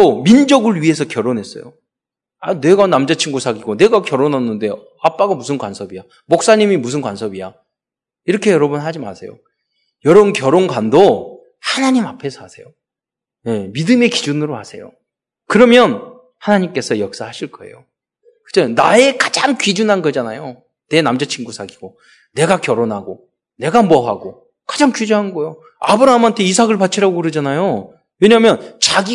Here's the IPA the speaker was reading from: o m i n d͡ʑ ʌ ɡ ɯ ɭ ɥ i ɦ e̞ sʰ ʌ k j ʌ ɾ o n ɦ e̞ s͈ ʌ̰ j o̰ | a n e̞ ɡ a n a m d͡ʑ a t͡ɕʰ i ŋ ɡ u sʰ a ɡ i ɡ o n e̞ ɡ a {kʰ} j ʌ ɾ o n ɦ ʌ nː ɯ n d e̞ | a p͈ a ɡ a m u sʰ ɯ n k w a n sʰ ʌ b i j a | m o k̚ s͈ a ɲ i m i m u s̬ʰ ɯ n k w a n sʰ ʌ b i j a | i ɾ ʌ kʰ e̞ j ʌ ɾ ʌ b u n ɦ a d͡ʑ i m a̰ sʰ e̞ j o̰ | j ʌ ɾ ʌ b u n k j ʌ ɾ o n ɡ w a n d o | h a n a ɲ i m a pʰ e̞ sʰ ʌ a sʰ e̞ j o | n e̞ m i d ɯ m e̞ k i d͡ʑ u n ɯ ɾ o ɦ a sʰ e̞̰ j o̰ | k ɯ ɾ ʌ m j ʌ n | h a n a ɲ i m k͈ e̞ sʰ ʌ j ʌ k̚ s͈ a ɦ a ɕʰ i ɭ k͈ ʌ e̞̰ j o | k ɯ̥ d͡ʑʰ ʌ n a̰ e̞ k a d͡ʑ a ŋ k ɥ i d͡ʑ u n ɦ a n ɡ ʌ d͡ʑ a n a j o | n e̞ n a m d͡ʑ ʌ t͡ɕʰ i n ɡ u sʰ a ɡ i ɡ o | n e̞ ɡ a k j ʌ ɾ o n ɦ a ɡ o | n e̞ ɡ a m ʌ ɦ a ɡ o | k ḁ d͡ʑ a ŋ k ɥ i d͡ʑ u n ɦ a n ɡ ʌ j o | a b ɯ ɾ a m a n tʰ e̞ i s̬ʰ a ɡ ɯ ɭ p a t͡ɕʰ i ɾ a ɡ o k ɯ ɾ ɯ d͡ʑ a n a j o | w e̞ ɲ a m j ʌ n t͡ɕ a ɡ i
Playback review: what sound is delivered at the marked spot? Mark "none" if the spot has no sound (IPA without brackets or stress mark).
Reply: k